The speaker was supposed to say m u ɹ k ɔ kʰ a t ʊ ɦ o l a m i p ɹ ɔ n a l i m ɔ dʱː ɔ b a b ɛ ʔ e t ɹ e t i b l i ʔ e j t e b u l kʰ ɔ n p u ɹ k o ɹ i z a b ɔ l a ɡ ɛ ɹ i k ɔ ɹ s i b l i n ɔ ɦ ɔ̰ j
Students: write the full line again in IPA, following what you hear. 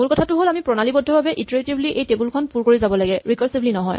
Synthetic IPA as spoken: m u l k ɔ tʰ a t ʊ ɦ o l a m i p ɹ ɔ n a l i b ɔ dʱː ɔ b a b ɛ ʔ i t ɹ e t i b l i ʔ e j t e b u l kʰ ɔ n p u ɹ k o ɹ i z a b ɔ l a ɡ ɛ ɹ i k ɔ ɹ s i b l i n ɔ ɦ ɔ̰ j